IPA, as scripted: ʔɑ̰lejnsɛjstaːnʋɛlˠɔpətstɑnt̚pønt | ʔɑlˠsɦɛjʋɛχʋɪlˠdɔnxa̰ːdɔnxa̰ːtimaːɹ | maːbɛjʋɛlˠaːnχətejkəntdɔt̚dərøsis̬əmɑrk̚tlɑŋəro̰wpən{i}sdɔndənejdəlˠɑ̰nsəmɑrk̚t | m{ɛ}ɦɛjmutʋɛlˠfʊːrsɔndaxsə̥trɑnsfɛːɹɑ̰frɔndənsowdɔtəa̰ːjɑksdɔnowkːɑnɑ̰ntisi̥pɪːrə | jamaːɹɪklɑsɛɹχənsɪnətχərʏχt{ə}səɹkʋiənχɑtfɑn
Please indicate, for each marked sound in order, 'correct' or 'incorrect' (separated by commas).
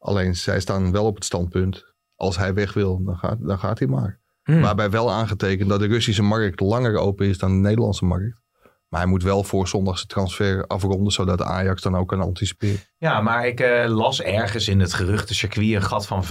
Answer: incorrect, incorrect, correct